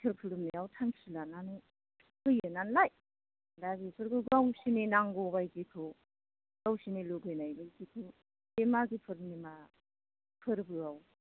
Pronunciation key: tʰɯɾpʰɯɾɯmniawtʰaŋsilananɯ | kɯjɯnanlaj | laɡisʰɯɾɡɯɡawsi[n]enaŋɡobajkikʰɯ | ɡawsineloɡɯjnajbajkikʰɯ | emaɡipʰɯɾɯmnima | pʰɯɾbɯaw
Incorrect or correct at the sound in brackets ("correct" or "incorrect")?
correct